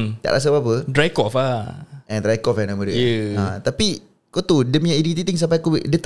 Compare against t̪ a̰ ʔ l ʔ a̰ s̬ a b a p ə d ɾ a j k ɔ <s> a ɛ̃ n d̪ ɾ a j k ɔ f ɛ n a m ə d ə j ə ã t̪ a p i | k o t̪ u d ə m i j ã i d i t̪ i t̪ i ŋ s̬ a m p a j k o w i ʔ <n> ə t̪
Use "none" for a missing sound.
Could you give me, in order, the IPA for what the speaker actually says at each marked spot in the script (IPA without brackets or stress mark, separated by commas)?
f, d